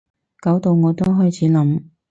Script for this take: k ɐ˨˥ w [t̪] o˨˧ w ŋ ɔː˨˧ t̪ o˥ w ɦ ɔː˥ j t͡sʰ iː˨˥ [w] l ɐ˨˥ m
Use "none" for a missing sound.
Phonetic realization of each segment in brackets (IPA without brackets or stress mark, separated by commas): t̪, none